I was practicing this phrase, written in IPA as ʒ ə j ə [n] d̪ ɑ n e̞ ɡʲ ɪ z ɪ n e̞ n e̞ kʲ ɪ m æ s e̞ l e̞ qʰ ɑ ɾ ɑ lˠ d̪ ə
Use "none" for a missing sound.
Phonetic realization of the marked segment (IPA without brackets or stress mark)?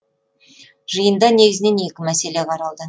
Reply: n